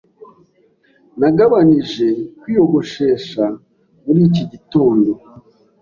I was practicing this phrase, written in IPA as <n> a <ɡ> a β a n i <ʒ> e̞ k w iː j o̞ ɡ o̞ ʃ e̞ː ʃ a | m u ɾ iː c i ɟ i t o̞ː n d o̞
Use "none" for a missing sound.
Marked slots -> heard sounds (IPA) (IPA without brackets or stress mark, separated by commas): n, ɡ, ʒ